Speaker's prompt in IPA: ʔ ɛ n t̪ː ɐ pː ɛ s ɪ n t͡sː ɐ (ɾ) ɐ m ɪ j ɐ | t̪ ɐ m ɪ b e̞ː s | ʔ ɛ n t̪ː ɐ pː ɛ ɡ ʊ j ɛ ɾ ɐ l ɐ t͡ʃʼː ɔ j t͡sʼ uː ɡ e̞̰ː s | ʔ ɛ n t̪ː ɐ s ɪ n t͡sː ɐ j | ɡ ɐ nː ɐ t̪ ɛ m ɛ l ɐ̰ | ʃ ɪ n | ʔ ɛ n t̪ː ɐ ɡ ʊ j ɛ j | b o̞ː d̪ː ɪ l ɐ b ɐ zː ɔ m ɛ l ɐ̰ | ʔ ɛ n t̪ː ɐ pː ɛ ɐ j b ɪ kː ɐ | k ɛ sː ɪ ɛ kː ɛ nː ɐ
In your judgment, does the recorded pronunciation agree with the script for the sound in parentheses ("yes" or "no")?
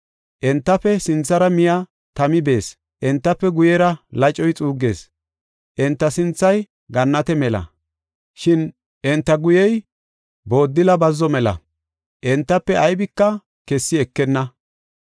yes